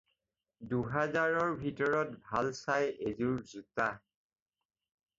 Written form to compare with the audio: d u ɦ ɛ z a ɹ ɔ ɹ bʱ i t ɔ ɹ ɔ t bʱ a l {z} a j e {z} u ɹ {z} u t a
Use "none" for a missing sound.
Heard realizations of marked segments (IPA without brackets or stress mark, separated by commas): s, z, z